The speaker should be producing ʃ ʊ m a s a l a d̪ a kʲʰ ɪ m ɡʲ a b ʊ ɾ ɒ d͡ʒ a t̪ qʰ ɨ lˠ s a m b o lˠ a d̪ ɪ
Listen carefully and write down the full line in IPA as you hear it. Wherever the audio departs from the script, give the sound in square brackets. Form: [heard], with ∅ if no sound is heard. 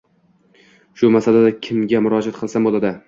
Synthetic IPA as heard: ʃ ʊ m a s a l a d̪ a kʲʰ ɪ m ɡʲ a [m] ʊ ɾ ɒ d͡ʒ a t̪ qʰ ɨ lˠ s a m b o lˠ a d̪ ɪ